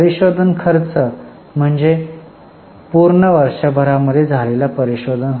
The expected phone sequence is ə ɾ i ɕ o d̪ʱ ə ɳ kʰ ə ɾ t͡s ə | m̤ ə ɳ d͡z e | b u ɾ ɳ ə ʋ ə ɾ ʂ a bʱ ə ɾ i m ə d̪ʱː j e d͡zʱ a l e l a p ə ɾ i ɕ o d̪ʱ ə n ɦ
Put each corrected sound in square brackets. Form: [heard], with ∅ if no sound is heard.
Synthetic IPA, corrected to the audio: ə ɾ i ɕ o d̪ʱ ə [n] kʰ ə ɾ t͡s ə | m̤ ə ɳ d͡z e | [p] u ɾ ɳ ə ʋ ə ɾ ʂ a bʱ ə ɾ [a] m ə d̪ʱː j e d͡zʱ a l e l a p ə ɾ i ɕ o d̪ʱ ə n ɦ